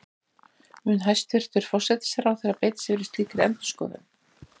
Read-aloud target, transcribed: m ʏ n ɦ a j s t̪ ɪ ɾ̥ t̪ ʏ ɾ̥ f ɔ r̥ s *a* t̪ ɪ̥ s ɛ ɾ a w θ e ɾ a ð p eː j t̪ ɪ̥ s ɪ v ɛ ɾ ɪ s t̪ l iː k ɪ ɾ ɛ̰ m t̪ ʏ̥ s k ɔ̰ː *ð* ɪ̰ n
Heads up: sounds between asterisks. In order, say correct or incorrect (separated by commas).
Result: incorrect, correct